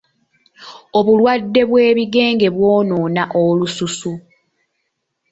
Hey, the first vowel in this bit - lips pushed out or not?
yes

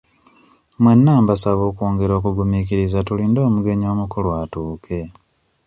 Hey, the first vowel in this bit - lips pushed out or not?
no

